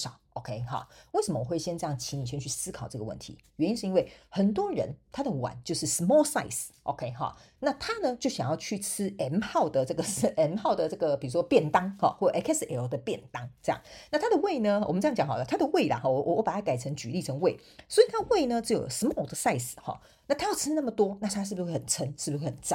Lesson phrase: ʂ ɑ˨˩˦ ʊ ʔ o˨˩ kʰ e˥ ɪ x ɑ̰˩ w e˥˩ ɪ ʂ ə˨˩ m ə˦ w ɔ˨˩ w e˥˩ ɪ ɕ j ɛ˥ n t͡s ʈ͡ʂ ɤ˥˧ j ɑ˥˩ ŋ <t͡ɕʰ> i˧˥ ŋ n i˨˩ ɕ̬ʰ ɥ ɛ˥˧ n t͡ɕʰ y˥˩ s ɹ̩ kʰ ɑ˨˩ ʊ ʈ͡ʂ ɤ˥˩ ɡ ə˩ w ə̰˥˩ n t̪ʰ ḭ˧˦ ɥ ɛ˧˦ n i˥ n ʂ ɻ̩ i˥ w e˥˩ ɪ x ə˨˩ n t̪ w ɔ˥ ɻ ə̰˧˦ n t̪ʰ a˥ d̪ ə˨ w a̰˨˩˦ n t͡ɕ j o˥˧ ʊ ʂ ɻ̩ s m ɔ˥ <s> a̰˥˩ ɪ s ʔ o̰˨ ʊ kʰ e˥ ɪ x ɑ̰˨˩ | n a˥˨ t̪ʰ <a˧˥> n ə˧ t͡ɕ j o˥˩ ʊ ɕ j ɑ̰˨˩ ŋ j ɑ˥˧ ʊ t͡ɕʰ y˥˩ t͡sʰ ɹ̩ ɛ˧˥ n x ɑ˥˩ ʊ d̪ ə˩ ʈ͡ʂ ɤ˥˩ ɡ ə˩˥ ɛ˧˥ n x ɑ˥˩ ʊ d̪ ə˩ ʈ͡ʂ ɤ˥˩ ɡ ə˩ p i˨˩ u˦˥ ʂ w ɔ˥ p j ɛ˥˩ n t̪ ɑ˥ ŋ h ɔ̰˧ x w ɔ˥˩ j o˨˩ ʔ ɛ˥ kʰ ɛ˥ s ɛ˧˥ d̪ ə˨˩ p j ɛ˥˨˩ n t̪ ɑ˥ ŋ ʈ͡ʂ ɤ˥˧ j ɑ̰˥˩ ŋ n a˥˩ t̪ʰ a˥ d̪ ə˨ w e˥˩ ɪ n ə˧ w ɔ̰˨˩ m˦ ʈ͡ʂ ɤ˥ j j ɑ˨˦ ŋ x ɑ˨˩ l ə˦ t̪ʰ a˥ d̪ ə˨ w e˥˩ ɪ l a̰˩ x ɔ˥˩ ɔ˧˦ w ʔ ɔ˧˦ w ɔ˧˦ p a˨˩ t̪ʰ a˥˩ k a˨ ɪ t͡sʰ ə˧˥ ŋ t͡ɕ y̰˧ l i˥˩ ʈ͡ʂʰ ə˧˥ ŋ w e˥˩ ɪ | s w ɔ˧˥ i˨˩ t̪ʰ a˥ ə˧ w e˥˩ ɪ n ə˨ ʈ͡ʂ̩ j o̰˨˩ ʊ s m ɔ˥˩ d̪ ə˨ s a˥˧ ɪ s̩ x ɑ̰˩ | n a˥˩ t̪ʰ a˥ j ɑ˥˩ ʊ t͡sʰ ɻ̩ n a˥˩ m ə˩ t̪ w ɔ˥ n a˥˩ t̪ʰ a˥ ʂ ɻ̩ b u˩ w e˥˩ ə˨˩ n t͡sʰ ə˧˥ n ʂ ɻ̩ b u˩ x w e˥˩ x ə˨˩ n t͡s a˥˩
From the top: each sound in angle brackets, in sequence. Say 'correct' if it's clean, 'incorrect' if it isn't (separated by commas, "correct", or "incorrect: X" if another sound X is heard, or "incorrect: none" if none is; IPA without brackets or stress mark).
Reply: correct, correct, incorrect: a˥